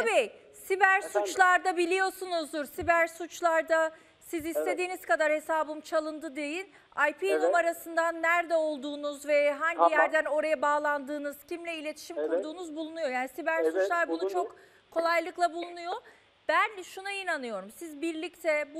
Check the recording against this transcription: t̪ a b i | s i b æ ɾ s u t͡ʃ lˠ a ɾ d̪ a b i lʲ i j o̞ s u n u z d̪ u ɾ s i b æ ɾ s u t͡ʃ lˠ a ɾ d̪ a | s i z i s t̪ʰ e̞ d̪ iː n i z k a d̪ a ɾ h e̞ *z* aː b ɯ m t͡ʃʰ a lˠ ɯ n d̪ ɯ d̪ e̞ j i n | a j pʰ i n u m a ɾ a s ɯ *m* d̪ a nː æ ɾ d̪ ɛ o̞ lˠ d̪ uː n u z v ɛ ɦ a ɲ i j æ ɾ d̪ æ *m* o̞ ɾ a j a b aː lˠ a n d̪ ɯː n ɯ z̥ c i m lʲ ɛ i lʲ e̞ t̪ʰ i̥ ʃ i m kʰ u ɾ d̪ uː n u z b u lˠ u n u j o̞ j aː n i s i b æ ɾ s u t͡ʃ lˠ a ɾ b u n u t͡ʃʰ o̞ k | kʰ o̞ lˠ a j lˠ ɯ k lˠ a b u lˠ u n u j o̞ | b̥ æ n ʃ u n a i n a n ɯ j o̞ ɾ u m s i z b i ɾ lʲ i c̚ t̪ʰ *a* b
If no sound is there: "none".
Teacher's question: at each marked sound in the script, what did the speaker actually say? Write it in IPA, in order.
s, n, n, ɛ

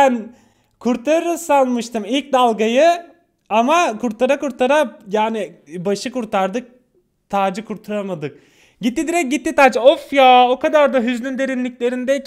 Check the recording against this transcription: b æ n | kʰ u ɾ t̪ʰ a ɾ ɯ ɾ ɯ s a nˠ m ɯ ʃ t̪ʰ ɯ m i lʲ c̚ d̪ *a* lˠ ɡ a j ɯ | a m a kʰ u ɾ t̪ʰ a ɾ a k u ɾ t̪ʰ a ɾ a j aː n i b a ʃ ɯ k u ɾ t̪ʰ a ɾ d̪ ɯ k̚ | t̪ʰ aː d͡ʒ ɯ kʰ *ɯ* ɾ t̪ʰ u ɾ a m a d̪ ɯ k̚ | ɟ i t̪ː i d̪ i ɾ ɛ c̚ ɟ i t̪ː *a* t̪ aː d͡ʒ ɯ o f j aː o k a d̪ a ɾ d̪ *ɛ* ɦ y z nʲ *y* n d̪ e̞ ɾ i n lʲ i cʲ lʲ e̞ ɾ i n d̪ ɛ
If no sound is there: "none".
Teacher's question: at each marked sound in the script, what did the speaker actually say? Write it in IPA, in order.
a, u, i, a, y

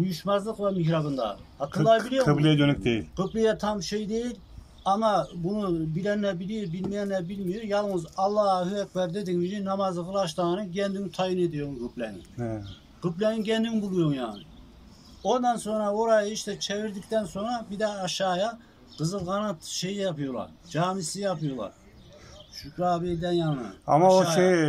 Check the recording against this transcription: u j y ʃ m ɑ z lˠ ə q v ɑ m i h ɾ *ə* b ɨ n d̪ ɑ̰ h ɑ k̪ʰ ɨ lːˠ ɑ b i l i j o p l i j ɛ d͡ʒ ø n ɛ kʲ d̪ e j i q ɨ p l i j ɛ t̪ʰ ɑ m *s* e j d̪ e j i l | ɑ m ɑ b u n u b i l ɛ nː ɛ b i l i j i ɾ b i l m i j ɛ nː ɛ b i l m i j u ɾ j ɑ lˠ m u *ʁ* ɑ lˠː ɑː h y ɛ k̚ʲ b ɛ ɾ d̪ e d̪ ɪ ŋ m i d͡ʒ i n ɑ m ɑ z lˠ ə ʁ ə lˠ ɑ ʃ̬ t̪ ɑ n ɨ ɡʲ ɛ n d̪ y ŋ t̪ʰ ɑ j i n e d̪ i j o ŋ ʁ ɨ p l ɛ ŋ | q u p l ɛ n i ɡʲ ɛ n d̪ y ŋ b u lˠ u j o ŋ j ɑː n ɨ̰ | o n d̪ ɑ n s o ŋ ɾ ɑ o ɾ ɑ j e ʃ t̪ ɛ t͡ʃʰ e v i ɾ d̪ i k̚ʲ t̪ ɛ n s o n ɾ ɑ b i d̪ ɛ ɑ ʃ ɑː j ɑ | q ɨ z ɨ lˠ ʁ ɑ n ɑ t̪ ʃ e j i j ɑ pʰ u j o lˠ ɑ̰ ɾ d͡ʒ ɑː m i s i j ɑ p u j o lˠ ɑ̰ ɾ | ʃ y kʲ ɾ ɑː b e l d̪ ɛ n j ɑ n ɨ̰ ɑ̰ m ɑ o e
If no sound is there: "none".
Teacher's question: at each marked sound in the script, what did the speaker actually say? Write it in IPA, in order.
ɑ, ʃ, z

